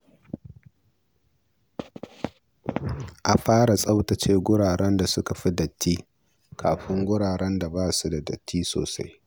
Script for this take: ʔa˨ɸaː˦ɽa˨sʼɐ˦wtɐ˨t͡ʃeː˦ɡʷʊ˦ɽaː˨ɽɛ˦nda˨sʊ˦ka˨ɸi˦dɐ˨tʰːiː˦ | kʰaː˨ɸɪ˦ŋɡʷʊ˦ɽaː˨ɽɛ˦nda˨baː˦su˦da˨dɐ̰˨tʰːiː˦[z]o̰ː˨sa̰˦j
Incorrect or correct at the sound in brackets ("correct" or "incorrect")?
incorrect